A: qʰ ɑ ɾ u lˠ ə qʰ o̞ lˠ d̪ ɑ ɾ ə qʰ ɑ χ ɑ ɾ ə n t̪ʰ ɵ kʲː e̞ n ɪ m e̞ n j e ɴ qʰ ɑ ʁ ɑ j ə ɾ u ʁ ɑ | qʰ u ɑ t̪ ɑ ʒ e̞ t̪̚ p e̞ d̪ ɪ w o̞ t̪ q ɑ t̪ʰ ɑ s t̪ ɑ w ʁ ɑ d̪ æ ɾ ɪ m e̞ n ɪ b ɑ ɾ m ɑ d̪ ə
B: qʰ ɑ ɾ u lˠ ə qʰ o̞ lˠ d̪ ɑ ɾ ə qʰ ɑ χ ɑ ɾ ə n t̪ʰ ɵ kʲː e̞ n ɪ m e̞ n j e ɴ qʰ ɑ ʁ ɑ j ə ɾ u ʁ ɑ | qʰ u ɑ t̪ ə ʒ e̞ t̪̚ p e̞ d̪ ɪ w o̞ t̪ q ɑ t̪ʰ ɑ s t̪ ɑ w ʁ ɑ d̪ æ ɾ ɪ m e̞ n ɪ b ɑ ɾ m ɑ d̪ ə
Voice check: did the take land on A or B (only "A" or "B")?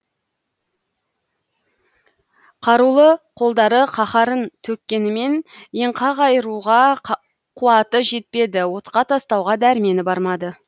B